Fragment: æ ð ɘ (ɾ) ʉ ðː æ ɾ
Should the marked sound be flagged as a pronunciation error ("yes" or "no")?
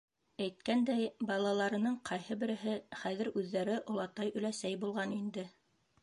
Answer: no